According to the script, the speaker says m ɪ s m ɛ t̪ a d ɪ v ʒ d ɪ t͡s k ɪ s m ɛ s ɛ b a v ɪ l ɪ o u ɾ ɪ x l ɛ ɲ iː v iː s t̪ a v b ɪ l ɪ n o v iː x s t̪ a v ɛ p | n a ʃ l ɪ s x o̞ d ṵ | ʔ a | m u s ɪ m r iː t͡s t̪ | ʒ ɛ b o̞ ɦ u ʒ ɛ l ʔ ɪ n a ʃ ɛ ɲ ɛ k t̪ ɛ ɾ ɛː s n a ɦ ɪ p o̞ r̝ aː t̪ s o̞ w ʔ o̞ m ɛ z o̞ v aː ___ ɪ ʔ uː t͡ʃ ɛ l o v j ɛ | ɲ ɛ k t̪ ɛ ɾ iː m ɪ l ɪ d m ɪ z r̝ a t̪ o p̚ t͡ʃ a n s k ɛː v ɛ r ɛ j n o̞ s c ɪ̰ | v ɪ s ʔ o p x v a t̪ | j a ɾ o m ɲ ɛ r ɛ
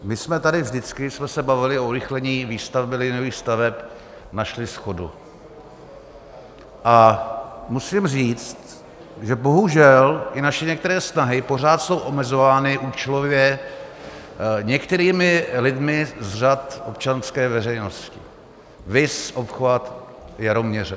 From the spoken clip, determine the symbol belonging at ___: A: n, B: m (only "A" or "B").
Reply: A